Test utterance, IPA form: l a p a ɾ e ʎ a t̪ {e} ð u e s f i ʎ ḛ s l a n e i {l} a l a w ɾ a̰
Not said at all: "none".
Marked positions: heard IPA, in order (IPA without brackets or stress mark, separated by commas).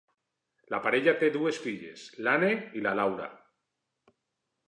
e, l